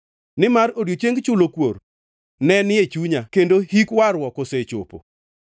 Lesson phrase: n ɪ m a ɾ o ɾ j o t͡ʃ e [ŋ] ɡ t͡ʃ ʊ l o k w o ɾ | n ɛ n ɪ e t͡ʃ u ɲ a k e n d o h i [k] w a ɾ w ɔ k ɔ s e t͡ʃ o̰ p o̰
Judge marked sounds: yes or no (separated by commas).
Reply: yes, yes